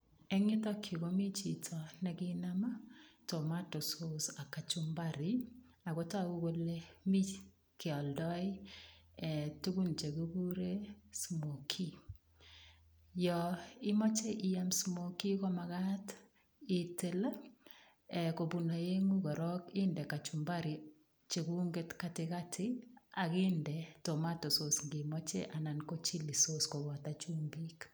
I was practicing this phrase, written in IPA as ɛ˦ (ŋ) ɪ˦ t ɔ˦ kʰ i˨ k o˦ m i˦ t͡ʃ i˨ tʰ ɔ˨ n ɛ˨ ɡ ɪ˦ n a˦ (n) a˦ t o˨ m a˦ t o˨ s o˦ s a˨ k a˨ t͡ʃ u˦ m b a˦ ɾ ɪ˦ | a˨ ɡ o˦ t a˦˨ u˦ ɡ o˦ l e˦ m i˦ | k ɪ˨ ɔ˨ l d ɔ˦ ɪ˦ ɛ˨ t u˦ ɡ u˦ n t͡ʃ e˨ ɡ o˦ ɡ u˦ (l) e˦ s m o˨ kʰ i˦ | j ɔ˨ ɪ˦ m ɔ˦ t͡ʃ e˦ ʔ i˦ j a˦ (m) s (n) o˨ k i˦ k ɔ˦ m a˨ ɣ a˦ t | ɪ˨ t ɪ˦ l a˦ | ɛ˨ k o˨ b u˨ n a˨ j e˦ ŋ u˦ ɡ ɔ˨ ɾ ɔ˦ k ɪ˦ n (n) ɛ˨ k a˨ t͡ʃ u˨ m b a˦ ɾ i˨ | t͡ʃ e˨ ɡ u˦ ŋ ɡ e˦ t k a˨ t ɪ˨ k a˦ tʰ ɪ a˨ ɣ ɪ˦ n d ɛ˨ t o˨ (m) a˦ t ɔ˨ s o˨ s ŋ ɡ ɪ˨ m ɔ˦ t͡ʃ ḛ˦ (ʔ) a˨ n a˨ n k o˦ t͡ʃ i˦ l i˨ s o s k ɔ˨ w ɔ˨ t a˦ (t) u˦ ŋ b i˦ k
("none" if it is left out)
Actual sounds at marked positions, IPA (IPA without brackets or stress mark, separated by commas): ŋ, m, ɾ, m, m, d, m, ʔ, t͡ʃ